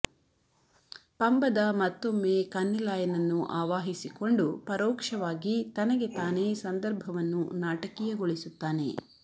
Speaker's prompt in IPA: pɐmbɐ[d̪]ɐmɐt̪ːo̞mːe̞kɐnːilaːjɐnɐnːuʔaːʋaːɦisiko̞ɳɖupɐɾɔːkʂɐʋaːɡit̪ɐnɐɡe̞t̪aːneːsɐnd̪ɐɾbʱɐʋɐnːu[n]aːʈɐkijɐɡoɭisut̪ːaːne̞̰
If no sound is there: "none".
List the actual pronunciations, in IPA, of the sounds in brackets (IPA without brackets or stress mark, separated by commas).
d̪, n